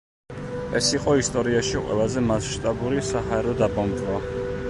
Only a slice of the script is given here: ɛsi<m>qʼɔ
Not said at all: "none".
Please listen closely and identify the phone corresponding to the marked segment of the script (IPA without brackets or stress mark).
none